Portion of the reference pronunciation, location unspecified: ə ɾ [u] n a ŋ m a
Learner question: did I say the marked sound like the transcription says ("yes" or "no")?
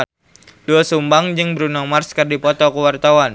yes